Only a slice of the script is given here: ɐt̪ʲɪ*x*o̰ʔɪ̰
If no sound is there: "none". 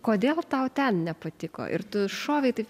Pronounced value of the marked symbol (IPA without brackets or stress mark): k